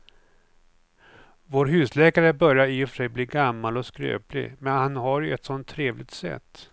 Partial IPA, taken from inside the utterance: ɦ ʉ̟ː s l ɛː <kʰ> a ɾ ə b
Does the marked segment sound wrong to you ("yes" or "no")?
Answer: yes